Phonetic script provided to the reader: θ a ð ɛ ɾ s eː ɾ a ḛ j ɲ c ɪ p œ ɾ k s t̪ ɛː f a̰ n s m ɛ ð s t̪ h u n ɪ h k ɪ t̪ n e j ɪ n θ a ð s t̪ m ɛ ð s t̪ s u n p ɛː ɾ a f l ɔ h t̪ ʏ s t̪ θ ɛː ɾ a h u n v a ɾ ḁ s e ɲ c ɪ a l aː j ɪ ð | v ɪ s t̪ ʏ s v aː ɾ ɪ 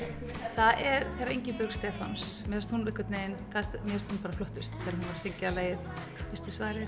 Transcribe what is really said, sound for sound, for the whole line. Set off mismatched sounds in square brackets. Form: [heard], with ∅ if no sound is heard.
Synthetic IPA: θ a ð ɛ ɾ [θ] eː ɾ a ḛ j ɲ c ɪ p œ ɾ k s t̪ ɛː f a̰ n s m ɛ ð s t̪ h u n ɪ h k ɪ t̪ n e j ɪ n θ a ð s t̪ m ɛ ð s t̪ [h] u n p [aː] ɾ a f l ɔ h t̪ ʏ s t̪ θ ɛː ɾ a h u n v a ɾ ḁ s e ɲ c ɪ a l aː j ɪ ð | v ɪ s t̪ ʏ s v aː ɾ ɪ